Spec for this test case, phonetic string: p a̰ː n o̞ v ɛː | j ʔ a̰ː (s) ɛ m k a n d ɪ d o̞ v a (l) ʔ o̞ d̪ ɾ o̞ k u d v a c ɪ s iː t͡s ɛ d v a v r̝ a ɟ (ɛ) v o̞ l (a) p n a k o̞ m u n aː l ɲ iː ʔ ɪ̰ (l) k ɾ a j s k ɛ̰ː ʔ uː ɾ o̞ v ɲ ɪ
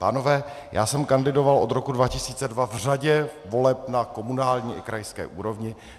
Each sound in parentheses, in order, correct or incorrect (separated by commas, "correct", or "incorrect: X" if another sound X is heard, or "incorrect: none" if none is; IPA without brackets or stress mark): correct, correct, correct, incorrect: ɛ, incorrect: none